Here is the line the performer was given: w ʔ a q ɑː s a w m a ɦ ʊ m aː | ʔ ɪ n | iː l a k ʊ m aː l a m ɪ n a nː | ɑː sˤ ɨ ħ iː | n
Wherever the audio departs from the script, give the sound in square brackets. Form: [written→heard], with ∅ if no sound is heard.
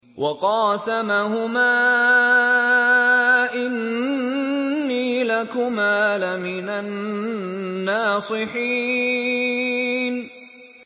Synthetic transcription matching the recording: w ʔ [a→ɑ] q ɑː s a [w→∅] m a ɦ ʊ m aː | ʔ ɪ n | iː l a k ʊ m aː l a m ɪ n a nː | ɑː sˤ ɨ ħ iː | n